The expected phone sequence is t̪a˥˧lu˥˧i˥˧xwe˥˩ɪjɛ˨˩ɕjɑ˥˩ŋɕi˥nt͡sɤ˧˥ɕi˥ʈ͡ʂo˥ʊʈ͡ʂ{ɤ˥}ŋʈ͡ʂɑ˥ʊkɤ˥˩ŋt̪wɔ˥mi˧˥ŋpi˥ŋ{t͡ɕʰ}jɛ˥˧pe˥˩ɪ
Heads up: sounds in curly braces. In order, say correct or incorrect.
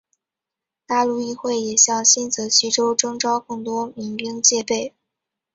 correct, incorrect: t͡ɕ

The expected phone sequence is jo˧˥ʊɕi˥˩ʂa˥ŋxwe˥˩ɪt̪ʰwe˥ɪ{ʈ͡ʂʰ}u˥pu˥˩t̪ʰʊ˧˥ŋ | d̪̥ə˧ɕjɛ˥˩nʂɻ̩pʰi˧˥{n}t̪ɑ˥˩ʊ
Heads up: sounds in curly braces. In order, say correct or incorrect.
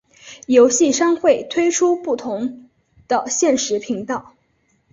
correct, incorrect: ŋ

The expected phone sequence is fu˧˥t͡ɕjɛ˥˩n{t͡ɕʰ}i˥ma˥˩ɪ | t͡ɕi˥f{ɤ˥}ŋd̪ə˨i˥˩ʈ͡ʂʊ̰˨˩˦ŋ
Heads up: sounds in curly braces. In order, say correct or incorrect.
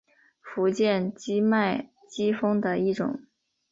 incorrect: t͡ɕ, correct

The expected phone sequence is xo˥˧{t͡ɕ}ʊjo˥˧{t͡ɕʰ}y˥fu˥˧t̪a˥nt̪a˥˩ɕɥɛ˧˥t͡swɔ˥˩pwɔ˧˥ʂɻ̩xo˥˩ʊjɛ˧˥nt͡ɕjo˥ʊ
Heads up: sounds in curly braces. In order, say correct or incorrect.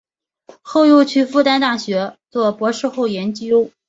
incorrect: none, correct

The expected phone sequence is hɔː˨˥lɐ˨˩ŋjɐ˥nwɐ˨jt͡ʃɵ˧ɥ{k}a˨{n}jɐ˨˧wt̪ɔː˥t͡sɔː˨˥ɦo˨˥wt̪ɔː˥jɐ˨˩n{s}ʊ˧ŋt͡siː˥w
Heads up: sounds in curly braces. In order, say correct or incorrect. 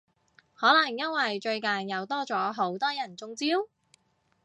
correct, correct, incorrect: t͡s

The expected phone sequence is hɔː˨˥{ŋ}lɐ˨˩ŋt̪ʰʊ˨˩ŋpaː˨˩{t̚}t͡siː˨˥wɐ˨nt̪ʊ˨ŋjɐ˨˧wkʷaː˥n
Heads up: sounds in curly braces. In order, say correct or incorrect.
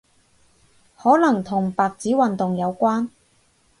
incorrect: none, incorrect: k̚

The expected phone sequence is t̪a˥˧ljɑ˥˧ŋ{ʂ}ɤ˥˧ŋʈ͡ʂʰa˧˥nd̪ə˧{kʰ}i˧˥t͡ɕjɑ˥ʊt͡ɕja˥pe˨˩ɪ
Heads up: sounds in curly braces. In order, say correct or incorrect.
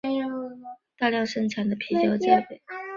correct, incorrect: pʰ

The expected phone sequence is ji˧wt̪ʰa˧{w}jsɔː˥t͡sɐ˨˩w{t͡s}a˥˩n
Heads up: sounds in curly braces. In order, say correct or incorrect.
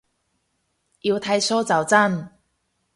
incorrect: none, correct

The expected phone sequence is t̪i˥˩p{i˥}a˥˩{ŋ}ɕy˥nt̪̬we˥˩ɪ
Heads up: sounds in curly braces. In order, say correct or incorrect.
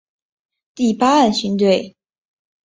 incorrect: a˥, incorrect: n

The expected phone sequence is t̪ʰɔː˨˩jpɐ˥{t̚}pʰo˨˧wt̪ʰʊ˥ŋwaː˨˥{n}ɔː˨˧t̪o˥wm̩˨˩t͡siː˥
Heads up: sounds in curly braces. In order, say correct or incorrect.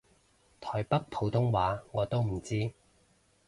incorrect: k̚, incorrect: ŋ

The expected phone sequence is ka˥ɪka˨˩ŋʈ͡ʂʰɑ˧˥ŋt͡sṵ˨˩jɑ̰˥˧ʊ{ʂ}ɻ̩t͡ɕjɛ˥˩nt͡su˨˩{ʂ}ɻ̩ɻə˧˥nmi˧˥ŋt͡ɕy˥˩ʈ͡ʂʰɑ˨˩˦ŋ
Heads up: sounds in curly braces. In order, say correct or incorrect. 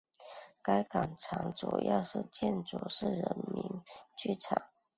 correct, correct

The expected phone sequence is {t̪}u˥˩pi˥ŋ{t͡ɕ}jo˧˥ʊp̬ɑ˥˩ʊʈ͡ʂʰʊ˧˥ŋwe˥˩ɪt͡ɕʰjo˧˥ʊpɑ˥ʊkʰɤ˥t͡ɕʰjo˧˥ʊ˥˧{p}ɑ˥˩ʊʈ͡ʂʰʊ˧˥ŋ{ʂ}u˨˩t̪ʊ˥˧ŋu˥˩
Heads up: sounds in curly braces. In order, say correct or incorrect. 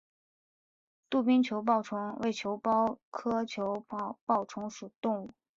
correct, incorrect: t͡ɕʰ, correct, correct

